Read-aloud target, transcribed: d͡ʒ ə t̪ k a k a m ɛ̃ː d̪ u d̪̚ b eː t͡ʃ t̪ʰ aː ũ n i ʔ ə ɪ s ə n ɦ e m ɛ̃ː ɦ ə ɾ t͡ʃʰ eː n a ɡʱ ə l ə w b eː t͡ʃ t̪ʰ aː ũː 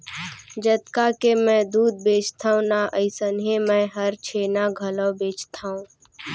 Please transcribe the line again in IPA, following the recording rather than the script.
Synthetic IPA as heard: d͡ʒ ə t̪ k a k e m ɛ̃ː d̪ uː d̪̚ b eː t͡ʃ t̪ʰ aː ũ n a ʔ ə ɪ s ə n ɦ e m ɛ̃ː ɦ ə ɾ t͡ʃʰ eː n a ɡʱ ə l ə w b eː t͡ʃ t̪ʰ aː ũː